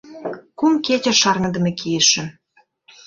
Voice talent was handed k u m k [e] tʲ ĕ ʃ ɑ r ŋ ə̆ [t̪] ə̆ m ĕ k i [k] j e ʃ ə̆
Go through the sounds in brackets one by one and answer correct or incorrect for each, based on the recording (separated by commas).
correct, incorrect, incorrect